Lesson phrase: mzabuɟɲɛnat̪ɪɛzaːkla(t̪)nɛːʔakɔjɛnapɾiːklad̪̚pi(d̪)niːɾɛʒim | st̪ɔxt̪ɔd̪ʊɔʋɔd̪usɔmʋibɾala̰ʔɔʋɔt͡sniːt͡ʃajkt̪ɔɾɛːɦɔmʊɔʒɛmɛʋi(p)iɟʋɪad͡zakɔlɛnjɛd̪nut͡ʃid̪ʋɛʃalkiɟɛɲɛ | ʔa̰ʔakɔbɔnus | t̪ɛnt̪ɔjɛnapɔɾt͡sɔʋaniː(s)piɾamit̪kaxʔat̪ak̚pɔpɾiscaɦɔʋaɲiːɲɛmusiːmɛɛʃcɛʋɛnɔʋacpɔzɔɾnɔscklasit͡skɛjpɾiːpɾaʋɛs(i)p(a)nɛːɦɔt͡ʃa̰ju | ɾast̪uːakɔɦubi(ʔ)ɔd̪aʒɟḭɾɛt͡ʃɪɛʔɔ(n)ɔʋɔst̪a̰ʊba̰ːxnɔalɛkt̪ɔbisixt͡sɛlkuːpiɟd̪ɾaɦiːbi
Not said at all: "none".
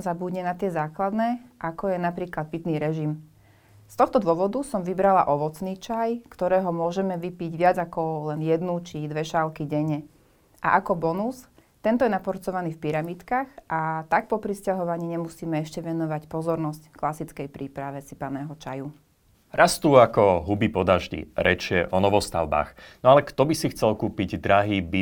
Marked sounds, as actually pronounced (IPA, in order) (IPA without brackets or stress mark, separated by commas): d̪, t̪, p, f, i, a, p, n